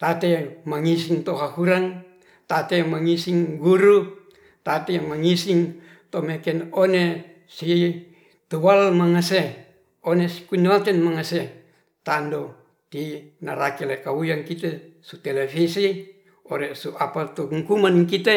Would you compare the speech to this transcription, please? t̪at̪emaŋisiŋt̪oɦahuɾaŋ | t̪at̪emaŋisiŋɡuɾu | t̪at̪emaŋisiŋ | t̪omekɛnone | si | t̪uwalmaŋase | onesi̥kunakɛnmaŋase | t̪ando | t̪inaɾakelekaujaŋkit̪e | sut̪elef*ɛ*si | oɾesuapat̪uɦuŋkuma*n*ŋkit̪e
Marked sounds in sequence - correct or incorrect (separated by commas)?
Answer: incorrect, correct